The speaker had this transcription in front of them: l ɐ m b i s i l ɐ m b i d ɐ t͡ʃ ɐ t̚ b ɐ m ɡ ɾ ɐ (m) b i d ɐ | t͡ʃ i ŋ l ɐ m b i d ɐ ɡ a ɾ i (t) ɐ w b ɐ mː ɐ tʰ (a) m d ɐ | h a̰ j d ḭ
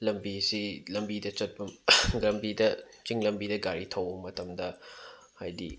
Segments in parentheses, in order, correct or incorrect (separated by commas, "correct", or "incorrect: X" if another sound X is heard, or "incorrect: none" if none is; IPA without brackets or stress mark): correct, incorrect: tʰ, incorrect: ɐ